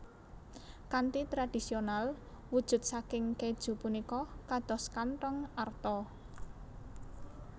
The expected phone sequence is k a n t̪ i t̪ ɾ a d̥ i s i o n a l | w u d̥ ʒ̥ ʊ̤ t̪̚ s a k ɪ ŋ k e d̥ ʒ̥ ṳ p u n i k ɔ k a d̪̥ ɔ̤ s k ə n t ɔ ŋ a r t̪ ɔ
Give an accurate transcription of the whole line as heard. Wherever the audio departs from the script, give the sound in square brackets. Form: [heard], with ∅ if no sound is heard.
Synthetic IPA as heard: k a n t̪ i t̪ ɾ a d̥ i s i o n a l | w u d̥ ʒ̥ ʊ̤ t̪̚ s a k ɪ ŋ k e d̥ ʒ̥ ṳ p u n i k ɔ k a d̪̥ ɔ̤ s k [a] n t ɔ ŋ a r t̪ ɔ

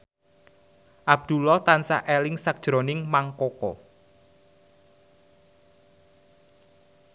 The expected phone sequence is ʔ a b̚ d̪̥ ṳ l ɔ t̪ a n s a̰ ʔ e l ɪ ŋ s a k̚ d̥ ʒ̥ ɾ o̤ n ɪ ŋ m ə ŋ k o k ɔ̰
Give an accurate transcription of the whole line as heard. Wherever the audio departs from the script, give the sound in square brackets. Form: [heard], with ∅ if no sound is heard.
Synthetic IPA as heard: ʔ a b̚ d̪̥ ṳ l ɔ t̪ a n s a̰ ʔ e l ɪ ŋ s a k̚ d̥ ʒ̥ ɾ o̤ n ɪ ŋ m [a] ŋ k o k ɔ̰

